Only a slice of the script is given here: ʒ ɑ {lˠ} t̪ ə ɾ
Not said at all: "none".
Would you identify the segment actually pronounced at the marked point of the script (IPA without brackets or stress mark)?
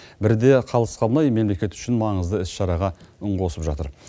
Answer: none